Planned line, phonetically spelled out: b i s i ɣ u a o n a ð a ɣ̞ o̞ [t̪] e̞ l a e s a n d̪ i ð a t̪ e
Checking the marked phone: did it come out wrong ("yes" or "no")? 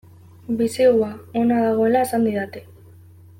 yes